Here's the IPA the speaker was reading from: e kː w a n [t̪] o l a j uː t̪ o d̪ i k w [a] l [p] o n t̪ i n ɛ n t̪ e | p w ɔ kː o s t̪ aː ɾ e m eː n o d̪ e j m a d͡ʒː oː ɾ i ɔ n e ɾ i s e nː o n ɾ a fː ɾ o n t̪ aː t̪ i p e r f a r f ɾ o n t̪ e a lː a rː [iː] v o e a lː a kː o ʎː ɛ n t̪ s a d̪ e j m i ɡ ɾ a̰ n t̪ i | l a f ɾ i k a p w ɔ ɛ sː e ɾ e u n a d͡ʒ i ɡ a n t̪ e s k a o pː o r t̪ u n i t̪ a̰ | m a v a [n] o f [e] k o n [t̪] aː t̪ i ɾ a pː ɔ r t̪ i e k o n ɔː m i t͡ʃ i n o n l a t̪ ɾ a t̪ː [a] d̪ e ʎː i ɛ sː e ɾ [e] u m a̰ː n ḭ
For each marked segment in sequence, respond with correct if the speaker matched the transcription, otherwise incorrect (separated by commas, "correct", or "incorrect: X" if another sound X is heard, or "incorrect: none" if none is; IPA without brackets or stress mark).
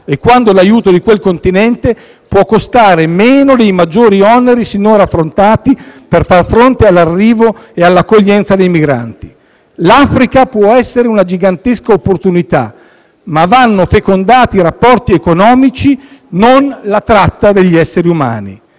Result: incorrect: d̪, incorrect: e, incorrect: k, correct, incorrect: nː, correct, incorrect: d̪, correct, incorrect: i